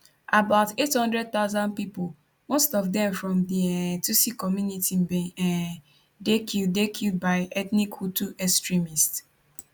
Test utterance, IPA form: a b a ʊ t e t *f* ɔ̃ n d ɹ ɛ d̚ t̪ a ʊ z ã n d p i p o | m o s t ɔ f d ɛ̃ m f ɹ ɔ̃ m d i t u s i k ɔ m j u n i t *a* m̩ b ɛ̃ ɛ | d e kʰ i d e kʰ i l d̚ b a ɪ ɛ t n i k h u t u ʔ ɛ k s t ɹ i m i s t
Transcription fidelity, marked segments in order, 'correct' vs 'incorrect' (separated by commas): incorrect, incorrect